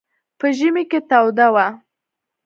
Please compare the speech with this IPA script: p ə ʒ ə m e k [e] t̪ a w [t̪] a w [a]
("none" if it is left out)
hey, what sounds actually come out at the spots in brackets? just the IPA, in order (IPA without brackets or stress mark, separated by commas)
e, d̪, a